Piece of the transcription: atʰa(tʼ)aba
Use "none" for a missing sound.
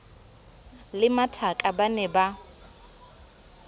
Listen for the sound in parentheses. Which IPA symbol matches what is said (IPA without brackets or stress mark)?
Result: kʼ